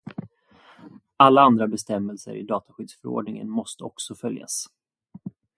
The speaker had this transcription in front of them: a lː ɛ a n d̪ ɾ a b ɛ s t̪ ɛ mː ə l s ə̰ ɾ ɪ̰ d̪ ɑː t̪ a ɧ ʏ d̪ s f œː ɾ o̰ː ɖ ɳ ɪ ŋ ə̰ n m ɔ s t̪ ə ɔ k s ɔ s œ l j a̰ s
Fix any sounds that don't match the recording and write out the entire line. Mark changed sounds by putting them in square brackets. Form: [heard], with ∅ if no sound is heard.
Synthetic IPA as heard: a lː [a] a n d̪ ɾ a b ɛ s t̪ ɛ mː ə l s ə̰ ɾ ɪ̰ d̪ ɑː t̪ a ɧ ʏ d̪ s f [œ] ɾ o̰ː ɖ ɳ ɪ ŋ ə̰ n m ɔ s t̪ ə ɔ k s ɔ [f] œ l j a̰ s